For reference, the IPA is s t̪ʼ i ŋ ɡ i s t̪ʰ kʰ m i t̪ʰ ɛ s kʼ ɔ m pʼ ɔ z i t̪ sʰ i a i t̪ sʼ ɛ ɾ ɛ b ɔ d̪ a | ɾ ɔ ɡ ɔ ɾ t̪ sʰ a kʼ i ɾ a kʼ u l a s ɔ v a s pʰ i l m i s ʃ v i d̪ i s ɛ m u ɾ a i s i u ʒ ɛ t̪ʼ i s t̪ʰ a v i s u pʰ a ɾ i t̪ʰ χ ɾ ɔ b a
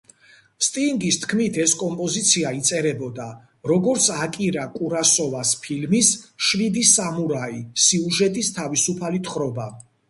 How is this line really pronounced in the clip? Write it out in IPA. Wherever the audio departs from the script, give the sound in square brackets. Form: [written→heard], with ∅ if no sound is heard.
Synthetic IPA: s t̪ʼ i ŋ ɡ i s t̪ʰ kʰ m i t̪ʰ ɛ s kʼ ɔ m pʼ ɔ z i t̪ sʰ i a i t̪ sʼ ɛ ɾ ɛ b ɔ d̪ a | ɾ ɔ ɡ ɔ ɾ t̪ sʰ a kʼ i ɾ a kʼ u [l→ɾ] a s ɔ v a s pʰ i l m i s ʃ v i d̪ i s [ɛ→a] m u ɾ a i s i u ʒ ɛ t̪ʼ i s t̪ʰ a v i s u pʰ a [ɾ→l] i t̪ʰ χ ɾ ɔ b a